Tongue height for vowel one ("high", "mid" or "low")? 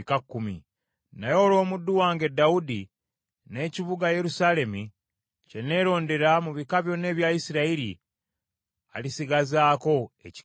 low